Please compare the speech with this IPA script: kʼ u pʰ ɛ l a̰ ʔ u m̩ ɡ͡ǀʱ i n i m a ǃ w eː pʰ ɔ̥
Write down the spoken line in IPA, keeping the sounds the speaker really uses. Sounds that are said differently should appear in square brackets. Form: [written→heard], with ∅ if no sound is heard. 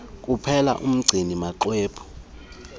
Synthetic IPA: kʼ u pʰ ɛ l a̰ ʔ u m̩ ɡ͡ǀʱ i n i m a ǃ w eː pʰ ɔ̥